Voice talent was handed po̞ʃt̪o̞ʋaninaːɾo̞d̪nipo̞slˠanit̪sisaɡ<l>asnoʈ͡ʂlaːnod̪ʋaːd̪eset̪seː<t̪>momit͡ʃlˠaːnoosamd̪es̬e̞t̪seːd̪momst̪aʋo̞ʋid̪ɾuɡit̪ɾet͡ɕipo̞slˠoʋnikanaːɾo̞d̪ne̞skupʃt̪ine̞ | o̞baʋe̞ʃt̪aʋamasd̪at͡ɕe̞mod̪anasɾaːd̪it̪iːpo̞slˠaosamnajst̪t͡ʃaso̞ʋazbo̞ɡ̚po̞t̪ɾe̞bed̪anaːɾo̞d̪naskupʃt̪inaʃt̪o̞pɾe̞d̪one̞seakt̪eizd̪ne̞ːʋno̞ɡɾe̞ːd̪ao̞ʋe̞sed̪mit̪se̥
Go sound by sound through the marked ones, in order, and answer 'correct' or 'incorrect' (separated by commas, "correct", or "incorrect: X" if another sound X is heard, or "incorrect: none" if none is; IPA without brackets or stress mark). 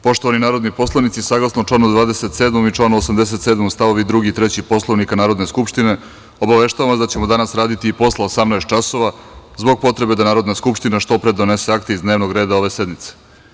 correct, incorrect: d̪